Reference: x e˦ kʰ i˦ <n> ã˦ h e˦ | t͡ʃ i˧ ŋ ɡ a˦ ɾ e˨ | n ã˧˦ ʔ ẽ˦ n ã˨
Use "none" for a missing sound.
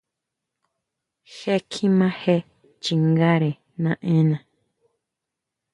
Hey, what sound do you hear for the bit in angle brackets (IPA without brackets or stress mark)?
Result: m